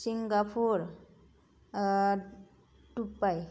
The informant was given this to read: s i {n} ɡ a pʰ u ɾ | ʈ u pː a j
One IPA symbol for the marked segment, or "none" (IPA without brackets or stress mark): ŋ